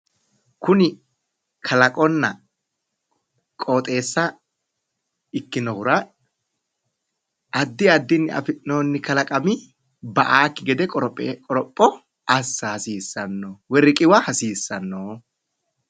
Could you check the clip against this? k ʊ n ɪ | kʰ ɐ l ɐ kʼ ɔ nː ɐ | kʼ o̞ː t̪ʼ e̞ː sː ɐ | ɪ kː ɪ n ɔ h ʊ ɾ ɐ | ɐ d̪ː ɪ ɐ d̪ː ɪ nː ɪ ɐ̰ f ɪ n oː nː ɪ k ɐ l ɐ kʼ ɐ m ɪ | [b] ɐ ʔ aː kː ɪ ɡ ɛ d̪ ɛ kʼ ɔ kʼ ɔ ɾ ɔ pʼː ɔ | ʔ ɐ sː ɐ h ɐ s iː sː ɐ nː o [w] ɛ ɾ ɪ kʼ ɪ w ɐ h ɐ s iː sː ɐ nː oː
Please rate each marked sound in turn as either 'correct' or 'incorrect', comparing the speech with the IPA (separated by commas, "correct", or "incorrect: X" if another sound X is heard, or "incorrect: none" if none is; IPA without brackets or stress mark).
correct, correct